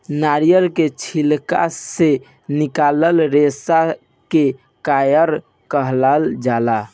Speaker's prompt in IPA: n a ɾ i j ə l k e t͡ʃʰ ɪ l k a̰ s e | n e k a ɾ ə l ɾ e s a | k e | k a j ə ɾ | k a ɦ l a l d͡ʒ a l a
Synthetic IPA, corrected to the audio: n a ɾ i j ə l k e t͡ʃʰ i l k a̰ s e | n i k a l ə l ɾ e s a | k e | k a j ə ɾ | k ə ɦ l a l d͡ʒ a l a

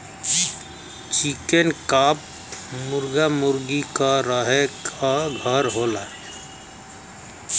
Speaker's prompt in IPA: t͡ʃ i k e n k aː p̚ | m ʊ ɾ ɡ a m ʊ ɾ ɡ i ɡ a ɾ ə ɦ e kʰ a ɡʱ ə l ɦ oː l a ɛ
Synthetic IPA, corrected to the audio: t͡ʃ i k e n k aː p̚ | m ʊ ɾ ɡ a m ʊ ɾ ɡ i k a ɾ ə ɦ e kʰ a ɡʱ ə ɾ ɦ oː l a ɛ

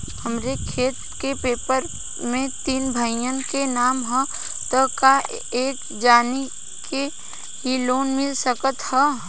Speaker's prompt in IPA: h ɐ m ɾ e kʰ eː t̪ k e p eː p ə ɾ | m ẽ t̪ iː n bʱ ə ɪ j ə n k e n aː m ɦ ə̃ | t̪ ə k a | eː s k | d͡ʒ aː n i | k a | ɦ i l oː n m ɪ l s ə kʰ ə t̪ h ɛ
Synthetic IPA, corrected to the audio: h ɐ m ɾ e kʰ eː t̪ k e p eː p ə ɾ | m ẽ t̪ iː n bʱ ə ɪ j ə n k e n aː m ɦ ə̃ | t̪ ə k a | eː k | d͡ʒ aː n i | k e | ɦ i l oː n m ɪ l s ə k ə t̪ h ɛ

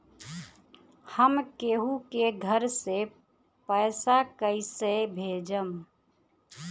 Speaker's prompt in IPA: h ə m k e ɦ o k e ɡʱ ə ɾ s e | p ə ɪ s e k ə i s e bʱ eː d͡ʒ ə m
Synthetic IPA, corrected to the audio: h ə m k e ɦ u k e ɡʱ ə ɾ s e | p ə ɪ s a k ə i s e bʱ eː d͡ʒ ə m

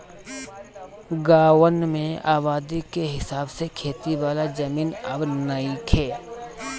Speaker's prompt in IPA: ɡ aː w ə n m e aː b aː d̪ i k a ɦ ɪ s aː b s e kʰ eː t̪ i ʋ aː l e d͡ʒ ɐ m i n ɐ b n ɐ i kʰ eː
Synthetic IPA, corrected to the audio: ɡ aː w ə n m ẽ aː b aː d̪ i k e ɦ ɪ s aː b s e kʰ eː t̪ i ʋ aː l a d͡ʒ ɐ m iː n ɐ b n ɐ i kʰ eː

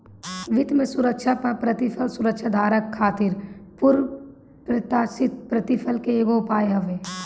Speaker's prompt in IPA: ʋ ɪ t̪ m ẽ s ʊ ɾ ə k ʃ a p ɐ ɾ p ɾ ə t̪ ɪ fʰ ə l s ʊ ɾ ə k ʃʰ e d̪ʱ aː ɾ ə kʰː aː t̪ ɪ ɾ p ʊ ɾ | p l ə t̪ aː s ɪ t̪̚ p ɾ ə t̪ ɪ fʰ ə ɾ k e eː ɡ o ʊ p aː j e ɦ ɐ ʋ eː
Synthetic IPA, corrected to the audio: ʋ ɪ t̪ m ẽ s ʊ ɾ ə k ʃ a p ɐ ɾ p ɾ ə t̪ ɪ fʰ ə l s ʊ ɾ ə k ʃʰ a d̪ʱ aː ɾ ə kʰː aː t̪ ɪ ɾ p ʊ ɾ | p ɾ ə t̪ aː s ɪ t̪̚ p ɾ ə t̪ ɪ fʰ ə l k e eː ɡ o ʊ p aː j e ɦ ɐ ʋ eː

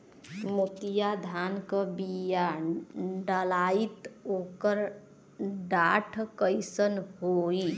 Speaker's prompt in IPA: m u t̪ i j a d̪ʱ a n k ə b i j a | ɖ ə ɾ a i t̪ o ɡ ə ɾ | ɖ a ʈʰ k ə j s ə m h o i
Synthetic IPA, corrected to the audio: m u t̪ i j a d̪ʱ a n k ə b i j a | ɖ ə l a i t̪ o k ə ɾ | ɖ a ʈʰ k ə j s ə n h o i

